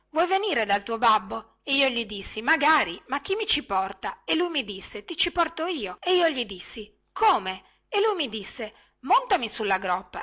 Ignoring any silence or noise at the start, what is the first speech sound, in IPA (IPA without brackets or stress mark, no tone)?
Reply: v